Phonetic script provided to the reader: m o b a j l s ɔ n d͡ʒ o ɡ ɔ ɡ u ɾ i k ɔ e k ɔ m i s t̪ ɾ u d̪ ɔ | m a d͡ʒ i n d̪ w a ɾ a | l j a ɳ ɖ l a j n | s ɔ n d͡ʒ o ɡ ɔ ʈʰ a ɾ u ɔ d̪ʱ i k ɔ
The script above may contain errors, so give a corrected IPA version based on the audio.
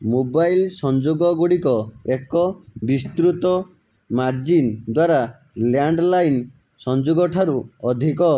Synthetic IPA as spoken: m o b a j l s ɔ n d͡ʒ o ɡ ɔ ɡ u ɽ i k ɔ e k ɔ b i s t̪ ɾ u t̪ ɔ | m a d͡ʒ i n d̪ w a ɾ a | l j a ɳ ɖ l a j n | s ɔ n d͡ʒ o ɡ ɔ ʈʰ a ɾ u ɔ d̪ʱ i k ɔ